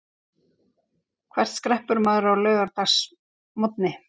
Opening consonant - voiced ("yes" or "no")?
no